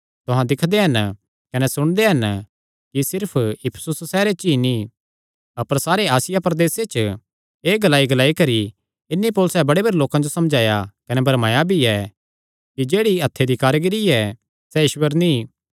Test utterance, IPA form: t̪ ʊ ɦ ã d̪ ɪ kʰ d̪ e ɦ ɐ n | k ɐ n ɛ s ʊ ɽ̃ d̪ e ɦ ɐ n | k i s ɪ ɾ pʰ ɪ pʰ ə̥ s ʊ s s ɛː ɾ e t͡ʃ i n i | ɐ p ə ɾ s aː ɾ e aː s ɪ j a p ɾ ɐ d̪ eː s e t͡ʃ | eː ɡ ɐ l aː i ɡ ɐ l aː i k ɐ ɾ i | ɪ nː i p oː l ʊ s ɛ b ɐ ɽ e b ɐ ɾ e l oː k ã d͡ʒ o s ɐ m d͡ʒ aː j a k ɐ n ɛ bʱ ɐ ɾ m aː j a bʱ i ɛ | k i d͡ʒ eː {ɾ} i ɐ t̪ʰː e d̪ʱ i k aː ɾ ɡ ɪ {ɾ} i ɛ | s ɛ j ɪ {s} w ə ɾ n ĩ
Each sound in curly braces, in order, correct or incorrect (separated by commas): incorrect, correct, incorrect